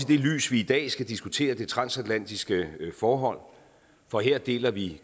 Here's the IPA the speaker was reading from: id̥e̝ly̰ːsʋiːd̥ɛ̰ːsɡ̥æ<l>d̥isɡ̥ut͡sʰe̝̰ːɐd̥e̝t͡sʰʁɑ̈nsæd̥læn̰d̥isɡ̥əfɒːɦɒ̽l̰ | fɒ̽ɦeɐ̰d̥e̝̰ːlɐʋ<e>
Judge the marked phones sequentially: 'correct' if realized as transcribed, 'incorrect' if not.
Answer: incorrect: none, incorrect: i

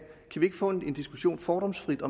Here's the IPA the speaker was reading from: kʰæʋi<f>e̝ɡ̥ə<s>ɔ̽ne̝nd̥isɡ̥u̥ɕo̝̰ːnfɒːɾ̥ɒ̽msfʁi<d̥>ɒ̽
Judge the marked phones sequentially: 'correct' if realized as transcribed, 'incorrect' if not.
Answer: incorrect: none, incorrect: f, correct

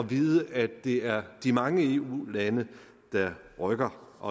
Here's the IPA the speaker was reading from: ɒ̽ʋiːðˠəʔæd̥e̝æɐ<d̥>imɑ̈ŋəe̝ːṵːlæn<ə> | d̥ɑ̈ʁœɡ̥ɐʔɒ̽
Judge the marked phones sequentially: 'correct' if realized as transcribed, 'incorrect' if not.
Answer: correct, correct

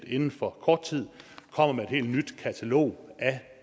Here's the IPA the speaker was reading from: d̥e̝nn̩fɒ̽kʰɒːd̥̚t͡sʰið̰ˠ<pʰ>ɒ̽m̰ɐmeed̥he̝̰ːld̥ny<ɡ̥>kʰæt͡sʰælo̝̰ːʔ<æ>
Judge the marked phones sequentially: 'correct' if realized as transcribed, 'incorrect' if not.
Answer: incorrect: kʰ, incorrect: d̥, correct

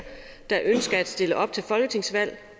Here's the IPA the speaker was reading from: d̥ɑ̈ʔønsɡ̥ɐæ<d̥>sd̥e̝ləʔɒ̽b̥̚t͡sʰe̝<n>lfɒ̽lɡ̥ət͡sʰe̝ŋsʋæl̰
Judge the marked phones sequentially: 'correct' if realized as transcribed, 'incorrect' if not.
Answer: correct, incorrect: none

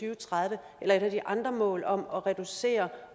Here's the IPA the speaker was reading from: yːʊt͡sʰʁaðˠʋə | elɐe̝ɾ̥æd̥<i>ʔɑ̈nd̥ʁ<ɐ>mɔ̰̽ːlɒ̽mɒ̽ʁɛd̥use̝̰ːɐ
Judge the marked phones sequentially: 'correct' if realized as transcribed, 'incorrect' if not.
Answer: correct, correct

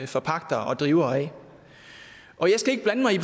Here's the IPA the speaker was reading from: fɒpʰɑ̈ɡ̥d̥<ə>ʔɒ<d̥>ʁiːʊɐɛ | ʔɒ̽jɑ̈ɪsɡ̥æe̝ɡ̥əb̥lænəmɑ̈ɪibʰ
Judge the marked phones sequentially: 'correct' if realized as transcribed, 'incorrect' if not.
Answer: incorrect: ɐ, correct

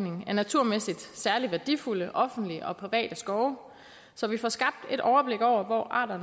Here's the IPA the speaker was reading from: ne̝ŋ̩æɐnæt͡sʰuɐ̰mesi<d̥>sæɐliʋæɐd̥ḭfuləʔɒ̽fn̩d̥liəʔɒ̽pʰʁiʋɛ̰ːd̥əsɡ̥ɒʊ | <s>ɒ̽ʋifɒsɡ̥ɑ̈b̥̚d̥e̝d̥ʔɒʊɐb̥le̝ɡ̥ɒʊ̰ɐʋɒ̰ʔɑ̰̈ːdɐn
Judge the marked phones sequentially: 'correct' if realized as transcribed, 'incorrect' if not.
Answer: correct, correct

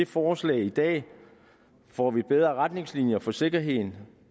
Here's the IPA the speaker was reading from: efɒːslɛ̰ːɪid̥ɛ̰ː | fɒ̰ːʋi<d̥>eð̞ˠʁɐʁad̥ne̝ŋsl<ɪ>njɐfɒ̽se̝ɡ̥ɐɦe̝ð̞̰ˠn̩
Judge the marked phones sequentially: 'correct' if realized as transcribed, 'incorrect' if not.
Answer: incorrect: b̥, incorrect: i

